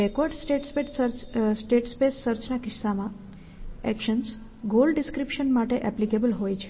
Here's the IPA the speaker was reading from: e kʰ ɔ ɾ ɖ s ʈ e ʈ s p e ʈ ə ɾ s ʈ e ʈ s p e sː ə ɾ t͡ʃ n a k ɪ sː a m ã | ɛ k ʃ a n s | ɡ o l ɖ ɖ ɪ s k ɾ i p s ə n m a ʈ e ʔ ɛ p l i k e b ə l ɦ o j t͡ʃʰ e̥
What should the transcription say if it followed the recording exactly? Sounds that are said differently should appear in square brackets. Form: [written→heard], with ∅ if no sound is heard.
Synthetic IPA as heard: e [kʰ→k] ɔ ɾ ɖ s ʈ e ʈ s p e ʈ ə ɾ s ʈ e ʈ s p e sː ə ɾ t͡ʃ n a k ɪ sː a m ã | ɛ k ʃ [a→ə] n s | ɡ o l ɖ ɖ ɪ s k ɾ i p [s→ʃ] ə n m a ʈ e ʔ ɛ p l i k e b ə l ɦ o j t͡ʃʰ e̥

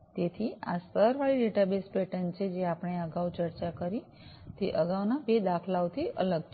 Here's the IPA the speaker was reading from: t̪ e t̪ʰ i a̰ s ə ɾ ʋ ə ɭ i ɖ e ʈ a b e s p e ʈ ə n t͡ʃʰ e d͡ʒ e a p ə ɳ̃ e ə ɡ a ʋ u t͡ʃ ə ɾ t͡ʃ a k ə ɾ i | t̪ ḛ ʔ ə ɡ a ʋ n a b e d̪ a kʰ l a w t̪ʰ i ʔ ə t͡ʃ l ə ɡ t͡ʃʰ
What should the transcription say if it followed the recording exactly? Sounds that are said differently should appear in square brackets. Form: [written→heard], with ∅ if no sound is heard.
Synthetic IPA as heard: t̪ e t̪ʰ i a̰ s ə ɾ ʋ [ə→a] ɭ i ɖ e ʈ a b e s p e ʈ ə n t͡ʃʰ e d͡ʒ e a p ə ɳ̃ e ə ɡ a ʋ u t͡ʃ ə ɾ t͡ʃ a k ə ɾ i | t̪ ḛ ʔ ə ɡ a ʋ n a b e d̪ a kʰ l a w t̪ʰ i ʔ ə [t͡ʃ→∅] l ə ɡ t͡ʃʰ

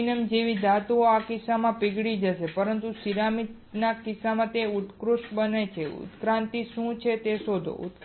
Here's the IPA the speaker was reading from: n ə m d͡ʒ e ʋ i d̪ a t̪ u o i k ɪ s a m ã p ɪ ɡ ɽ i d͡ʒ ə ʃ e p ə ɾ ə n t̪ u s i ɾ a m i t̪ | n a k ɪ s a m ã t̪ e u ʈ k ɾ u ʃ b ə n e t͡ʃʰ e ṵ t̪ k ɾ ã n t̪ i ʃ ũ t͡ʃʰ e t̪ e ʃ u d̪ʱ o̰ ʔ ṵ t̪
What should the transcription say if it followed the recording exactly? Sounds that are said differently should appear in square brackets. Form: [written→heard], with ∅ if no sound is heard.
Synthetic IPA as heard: n ə m d͡ʒ e ʋ i d̪ a t̪ u o [i→a] k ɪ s a m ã p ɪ ɡ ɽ i d͡ʒ ə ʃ e p ə ɾ ə n t̪ u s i ɾ a m i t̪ | n a k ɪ s a m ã t̪ e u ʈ k ɾ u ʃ b ə n e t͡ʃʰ e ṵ t̪ k ɾ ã n t̪ i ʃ ũ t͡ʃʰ e t̪ e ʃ [u→o] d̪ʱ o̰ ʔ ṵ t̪

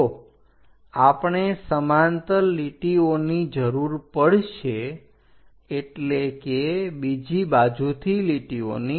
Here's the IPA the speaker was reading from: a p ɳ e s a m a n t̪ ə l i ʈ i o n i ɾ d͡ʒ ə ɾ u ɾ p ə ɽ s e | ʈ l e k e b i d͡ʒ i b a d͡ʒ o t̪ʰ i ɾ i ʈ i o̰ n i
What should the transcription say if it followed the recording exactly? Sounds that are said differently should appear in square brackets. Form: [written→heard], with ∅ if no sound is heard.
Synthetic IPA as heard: a p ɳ e s [a→ə] m a n t̪ ə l i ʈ i o n i [ɾ→∅] d͡ʒ ə ɾ u ɾ p ə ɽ [s→ʃ] e | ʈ l e k e b i d͡ʒ i b a d͡ʒ [o→u] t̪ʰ i [ɾ→l] i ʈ i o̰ n i

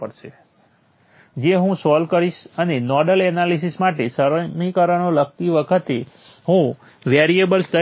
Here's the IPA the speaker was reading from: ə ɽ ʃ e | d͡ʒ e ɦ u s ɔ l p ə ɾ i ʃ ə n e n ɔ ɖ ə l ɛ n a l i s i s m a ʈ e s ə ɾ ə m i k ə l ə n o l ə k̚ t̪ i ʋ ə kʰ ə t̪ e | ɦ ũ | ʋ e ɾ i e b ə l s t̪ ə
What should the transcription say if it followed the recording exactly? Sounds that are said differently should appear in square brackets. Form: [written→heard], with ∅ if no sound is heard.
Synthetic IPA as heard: ə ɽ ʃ e | d͡ʒ e ɦ [u→ũ] s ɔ l [p→k] ə ɾ i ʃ ə n e n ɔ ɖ ə l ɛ n a l i s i s m a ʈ e s ə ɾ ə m i k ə [l→ɾ] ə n o l ə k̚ t̪ i ʋ ə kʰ ə t̪ e | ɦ ũ | ʋ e ɾ i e b ə l s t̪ ə

